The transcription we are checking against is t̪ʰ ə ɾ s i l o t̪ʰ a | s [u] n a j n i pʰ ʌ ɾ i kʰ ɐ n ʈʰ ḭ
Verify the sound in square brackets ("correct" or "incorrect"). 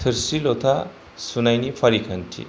correct